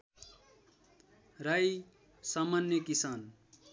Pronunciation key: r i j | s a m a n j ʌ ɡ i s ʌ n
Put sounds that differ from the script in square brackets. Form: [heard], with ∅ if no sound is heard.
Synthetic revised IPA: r [a] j | s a m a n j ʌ [k] i s [a] n